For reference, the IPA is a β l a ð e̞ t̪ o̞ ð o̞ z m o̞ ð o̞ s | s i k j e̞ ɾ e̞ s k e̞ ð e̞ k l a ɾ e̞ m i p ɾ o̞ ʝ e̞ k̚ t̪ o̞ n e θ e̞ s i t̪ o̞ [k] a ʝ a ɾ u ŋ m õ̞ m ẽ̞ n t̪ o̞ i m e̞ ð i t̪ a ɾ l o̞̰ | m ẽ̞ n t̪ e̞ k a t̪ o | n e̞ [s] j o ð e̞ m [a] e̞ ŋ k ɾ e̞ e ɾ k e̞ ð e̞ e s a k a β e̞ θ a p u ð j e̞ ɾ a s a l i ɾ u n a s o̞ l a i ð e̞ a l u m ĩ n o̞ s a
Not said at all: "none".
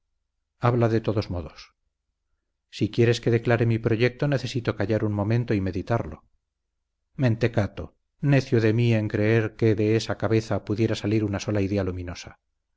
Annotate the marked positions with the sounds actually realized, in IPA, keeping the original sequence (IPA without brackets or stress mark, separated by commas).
k, θ, i